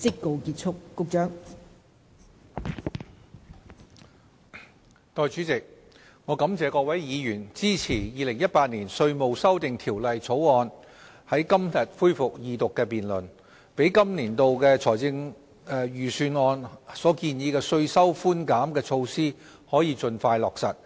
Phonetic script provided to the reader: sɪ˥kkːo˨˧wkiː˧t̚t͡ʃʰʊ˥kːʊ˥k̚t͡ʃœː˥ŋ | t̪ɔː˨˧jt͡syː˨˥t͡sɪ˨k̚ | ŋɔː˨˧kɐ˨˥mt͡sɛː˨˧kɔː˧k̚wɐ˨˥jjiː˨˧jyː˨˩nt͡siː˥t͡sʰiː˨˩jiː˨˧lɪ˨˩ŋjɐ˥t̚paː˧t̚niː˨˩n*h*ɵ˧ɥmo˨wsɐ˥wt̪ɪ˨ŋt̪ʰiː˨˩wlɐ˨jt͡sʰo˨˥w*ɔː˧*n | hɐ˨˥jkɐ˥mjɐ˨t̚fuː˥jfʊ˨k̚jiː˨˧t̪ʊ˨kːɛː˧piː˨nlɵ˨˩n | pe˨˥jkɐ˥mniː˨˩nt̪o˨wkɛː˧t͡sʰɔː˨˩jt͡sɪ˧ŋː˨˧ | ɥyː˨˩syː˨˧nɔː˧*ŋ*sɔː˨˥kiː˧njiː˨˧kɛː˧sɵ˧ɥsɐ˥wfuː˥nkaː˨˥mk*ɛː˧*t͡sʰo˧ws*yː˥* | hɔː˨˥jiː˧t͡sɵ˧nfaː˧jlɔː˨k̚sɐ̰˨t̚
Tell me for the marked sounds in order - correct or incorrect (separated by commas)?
incorrect, correct, incorrect, correct, incorrect